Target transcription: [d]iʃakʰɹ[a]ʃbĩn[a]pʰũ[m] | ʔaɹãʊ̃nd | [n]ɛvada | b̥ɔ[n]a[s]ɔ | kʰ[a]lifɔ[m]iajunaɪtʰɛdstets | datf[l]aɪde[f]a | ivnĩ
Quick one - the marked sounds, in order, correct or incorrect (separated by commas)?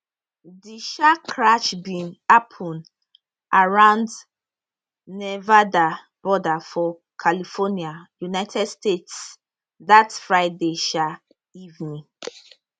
correct, correct, correct, incorrect, correct, incorrect, incorrect, correct, incorrect, incorrect, incorrect